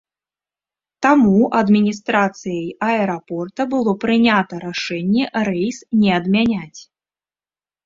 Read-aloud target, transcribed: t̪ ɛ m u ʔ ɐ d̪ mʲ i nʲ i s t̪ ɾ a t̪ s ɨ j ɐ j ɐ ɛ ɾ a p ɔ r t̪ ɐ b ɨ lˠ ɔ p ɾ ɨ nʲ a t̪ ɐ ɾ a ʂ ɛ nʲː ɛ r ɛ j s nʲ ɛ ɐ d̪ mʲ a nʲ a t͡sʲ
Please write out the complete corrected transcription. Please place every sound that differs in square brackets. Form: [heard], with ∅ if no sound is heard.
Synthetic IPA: t̪ [a] m u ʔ ɐ d̪ mʲ i nʲ i s t̪ ɾ a t̪ s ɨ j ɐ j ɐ ɛ ɾ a p ɔ r t̪ ɐ b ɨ lˠ ɔ p ɾ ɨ nʲ a t̪ ɐ ɾ a ʂ ɛ nʲː ɛ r ɛ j s nʲ ɛ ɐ d̪ mʲ a nʲ a t͡sʲ

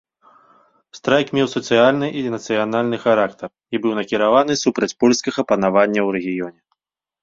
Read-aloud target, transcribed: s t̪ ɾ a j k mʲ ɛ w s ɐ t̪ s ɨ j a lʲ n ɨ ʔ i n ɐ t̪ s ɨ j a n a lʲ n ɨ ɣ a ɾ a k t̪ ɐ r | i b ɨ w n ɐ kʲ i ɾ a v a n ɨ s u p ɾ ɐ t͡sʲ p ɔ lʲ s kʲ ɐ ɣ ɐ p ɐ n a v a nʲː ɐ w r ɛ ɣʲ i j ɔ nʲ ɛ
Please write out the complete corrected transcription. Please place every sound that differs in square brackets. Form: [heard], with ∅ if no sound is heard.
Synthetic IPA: s t̪ ɾ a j k mʲ ɛ w s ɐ t̪ s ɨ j a lʲ n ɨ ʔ i n ɐ t̪ s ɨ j a n a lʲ n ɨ [x] a ɾ a k t̪ ɐ r | i b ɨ w n ɐ kʲ i ɾ a v a n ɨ s u p ɾ ɐ t͡sʲ p ɔ lʲ s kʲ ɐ ɣ ɐ p ɐ n a v a nʲː ɐ w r ɛ ɣʲ i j ɔ nʲ ɛ

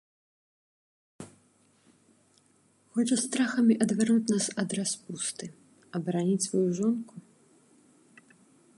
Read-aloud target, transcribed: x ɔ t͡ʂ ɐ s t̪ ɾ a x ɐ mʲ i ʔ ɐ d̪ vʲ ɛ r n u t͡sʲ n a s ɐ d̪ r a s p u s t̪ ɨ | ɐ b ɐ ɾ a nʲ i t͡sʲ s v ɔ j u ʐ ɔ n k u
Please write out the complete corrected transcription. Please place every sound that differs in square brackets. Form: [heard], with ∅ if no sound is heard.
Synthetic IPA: x ɔ t͡ʂ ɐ s t̪ ɾ a x ɐ mʲ i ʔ ɐ d̪ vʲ ɛ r n u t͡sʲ n a s ɐ d̪ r a s p u s t̪ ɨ | ɐ b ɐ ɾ a nʲ i t͡sʲ s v ɔ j u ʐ ɔ n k u

